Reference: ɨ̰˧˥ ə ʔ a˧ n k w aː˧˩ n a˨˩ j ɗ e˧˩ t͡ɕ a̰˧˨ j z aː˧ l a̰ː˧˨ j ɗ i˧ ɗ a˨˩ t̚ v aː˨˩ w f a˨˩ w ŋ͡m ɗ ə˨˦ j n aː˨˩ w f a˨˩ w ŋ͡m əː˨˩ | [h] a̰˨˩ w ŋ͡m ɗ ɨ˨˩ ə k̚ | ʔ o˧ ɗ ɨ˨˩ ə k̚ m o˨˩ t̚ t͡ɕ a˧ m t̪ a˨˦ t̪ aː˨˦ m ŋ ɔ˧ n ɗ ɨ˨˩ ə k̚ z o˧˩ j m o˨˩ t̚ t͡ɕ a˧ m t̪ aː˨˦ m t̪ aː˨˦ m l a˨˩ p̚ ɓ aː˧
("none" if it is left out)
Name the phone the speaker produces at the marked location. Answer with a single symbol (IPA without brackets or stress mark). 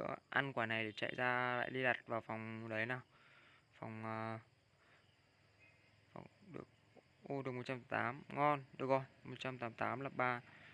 f